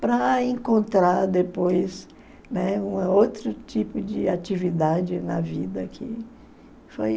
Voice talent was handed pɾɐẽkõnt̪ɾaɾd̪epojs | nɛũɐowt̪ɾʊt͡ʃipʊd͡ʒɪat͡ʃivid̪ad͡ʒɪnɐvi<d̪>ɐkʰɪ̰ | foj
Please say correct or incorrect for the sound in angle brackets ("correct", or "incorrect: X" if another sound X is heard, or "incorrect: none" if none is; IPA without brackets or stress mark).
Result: correct